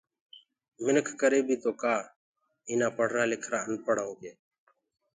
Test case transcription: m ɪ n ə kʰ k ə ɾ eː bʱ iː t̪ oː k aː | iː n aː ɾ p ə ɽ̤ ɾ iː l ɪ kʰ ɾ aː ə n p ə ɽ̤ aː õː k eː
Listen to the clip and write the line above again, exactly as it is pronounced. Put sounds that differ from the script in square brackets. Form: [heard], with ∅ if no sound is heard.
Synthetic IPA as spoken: m ɪ n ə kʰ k ə ɾ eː bʱ iː t̪ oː k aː | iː n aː [∅] p ə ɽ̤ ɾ [aː] l ɪ kʰ ɾ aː ə n p ə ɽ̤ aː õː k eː